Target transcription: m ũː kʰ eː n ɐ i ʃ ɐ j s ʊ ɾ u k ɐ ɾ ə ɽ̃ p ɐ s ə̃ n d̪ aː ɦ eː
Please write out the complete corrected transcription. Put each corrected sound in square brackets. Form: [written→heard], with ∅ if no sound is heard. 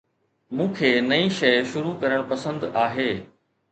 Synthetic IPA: m ũː kʰ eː n ɐ i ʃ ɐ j [s→ʃ] ʊ ɾ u k ɐ ɾ ə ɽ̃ p ɐ s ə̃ n d̪ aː ɦ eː